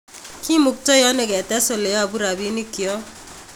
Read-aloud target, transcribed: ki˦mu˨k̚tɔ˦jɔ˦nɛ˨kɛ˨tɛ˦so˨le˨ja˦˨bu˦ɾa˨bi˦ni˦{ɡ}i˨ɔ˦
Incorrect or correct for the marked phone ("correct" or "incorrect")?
incorrect